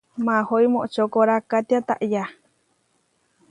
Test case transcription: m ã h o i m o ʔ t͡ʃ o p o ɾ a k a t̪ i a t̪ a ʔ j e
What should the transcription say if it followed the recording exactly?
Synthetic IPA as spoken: m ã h o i m o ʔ t͡ʃ o k o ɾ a k a t̪ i a t̪ a ʔ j a

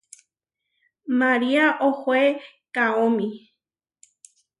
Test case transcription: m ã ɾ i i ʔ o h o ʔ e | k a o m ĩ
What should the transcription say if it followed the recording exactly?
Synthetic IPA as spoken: m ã ɾ i a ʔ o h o e | k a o m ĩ

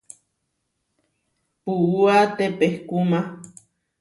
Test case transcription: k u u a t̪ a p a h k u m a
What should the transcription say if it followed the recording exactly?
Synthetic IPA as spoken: p u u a t̪ e p e h k u m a

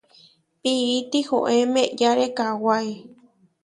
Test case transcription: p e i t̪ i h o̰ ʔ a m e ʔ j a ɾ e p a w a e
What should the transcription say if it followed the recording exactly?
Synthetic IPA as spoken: p i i t̪ i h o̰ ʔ e m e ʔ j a ɾ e k a w a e

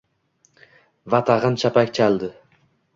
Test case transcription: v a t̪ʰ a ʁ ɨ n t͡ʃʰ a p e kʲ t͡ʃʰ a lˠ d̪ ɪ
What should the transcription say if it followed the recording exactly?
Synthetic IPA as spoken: v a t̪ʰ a ʁ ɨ n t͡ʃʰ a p a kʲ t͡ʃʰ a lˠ d̪ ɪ

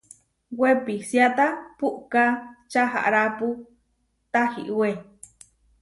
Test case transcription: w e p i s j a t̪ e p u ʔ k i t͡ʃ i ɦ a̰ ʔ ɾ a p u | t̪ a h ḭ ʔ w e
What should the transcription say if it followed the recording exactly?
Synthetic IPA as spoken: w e p i s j a t̪ a p u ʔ k a t͡ʃ a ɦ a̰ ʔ ɾ a p u | t̪ a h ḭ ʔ w e

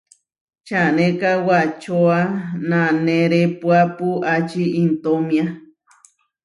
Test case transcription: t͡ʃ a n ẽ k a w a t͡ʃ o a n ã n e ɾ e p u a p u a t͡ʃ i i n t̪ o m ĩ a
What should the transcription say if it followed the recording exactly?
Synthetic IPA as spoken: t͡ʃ a n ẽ k a w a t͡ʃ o a n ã n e ɾ e p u a p u a t͡ʃ i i n t̪ o m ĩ a

